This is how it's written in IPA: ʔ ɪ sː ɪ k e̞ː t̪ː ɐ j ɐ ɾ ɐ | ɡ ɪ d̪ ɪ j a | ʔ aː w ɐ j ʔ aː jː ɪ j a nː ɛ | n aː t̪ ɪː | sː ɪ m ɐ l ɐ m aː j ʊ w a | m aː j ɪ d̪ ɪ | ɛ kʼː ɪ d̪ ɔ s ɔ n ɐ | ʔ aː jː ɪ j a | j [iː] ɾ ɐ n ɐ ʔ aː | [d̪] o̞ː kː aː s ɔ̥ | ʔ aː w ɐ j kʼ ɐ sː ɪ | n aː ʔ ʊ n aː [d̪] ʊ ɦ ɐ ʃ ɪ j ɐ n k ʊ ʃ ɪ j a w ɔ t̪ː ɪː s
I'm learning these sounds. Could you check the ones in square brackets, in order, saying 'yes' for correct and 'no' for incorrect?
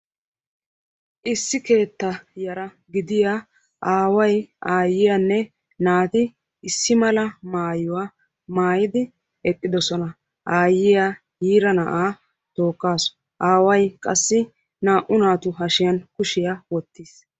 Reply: yes, no, no

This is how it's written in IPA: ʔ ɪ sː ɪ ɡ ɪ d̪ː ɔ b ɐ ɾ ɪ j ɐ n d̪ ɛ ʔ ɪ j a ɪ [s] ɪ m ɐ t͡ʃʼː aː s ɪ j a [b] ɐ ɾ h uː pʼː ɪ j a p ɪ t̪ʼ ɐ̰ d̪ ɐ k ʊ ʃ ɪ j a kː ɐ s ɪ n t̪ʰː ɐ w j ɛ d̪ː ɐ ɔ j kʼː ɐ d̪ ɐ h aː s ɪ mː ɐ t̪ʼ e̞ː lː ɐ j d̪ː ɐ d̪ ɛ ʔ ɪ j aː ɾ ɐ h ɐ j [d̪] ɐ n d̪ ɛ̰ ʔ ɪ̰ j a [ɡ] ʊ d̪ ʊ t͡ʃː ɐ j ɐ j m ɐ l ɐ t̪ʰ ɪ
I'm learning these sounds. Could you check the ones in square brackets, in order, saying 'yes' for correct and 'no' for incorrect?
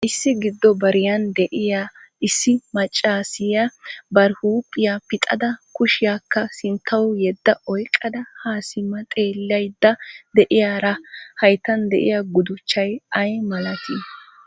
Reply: no, yes, no, yes

